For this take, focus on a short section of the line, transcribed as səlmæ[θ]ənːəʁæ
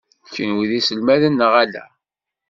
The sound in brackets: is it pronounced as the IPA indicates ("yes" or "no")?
no